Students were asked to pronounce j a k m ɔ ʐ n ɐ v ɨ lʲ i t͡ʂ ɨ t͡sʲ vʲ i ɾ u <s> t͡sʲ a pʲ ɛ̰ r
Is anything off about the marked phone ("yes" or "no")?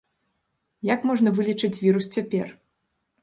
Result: no